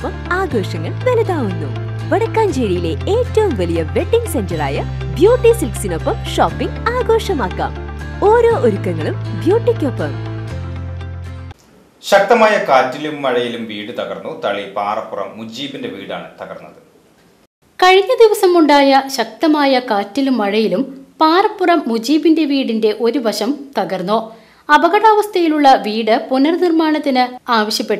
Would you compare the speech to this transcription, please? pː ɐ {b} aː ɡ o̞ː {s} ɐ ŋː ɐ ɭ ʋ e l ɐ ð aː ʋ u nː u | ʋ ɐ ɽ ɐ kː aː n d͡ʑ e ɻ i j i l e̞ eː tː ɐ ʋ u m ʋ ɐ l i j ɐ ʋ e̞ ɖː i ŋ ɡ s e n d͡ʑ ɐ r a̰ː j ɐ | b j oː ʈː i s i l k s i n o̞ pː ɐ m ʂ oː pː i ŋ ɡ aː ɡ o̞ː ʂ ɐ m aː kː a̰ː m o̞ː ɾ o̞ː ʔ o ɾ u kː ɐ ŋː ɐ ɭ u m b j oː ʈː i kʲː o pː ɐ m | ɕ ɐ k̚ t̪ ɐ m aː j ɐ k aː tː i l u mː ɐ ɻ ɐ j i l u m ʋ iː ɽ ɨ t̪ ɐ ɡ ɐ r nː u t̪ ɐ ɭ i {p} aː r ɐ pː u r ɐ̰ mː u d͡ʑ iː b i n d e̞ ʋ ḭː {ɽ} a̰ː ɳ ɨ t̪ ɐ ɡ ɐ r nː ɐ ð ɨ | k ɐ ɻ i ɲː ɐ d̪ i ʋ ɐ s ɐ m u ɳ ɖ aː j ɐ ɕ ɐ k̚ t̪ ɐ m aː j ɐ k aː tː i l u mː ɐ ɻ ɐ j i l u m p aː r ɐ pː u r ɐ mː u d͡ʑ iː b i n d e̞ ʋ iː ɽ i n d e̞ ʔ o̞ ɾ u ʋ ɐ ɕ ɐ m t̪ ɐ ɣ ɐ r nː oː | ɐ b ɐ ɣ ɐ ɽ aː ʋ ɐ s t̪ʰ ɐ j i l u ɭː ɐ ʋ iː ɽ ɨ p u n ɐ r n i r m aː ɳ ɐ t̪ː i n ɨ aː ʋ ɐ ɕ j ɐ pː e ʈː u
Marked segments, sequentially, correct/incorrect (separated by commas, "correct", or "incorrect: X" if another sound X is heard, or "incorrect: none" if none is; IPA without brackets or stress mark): incorrect: m, incorrect: ʂ, correct, correct